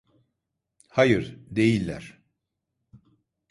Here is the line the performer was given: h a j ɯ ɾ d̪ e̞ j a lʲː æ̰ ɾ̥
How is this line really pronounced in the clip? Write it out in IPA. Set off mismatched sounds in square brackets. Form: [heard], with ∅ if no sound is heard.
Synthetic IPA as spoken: h a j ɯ ɾ d̪ e̞ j [i] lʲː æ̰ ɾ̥